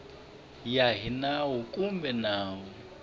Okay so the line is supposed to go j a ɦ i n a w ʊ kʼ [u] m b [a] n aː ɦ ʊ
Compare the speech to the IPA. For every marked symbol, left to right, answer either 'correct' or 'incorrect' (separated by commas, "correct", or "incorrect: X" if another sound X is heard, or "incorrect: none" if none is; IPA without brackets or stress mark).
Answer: correct, incorrect: ɛ